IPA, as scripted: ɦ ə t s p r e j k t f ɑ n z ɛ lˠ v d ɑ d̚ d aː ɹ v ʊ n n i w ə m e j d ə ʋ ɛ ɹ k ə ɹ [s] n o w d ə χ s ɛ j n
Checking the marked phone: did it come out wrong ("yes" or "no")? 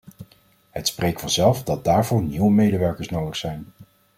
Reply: no